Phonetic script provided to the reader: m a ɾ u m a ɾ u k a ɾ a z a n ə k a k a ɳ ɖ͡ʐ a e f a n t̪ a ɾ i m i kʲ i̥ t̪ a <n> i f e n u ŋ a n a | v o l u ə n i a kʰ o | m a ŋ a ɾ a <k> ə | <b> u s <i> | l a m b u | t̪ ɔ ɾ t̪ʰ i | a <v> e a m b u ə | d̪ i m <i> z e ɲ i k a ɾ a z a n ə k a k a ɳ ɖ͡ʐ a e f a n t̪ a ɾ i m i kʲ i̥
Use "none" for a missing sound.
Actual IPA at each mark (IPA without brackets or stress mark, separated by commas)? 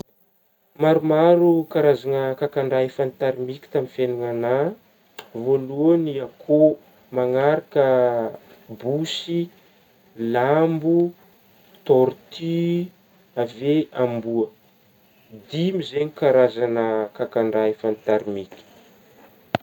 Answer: m, k, b, i, v, i